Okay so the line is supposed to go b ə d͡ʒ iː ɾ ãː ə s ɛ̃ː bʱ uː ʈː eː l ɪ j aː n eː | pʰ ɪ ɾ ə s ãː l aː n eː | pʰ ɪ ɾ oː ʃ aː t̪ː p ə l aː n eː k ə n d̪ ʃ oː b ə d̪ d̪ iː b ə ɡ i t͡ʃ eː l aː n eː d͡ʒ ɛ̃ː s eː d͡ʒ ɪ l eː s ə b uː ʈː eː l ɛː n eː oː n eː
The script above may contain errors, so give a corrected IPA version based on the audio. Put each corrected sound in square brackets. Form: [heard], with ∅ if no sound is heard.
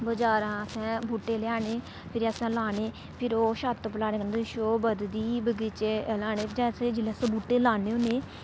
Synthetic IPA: b ə d͡ʒ [aː] ɾ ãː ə s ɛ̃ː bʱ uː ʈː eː l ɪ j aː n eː | pʰ ɪ ɾ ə s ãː l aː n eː | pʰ ɪ ɾ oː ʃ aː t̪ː p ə l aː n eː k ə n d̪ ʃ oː b ə d̪ d̪ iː b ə ɡ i t͡ʃ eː l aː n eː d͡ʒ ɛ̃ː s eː d͡ʒ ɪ l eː s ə b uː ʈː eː l [aː] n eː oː n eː